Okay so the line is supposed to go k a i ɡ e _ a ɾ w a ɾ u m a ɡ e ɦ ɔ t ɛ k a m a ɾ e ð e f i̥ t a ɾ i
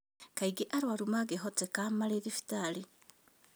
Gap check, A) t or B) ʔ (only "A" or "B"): B